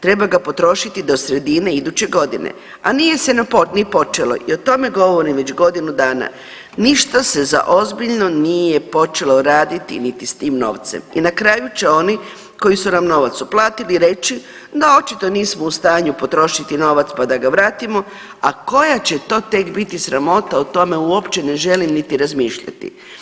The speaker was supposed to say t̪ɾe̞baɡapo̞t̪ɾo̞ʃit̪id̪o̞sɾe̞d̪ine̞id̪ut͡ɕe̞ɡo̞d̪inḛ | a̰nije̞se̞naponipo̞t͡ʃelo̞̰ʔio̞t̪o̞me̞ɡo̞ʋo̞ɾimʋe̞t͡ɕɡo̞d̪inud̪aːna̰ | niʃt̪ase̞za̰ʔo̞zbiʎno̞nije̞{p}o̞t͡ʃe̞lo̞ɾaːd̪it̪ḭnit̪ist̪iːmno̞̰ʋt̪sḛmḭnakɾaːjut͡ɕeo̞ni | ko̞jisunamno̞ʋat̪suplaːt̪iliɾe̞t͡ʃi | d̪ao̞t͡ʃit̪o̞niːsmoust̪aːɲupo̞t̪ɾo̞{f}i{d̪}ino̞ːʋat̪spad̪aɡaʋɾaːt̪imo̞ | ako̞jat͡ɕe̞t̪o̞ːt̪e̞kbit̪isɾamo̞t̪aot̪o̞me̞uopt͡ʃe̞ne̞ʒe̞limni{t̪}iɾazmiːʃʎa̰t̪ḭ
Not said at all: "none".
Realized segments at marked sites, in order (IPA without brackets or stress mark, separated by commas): p, ʃ, t̪, t̪